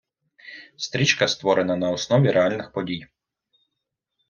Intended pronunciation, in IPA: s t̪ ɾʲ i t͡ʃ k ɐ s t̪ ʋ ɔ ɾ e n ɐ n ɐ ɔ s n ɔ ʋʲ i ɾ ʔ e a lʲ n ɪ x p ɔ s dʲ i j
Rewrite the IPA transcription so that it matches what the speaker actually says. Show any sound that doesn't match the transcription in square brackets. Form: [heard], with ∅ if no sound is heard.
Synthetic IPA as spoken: s t̪ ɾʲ i t͡ʃ k ɐ s t̪ ʋ ɔ ɾ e n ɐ n ɐ ɔ s n ɔ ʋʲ i ɾ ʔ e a lʲ n ɪ x p ɔ [∅] dʲ i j